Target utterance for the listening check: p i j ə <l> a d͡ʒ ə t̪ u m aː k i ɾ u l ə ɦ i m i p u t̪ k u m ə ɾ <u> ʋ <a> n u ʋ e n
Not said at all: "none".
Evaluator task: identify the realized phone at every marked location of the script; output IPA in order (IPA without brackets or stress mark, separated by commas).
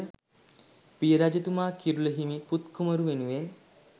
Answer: ɾ, u, e